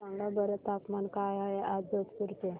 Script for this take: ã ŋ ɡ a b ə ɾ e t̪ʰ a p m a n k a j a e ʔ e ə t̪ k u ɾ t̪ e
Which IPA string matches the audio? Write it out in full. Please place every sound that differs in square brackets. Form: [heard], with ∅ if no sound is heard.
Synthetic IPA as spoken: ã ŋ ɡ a b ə ɾ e [t̪] a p m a n k a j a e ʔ [a] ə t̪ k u ɾ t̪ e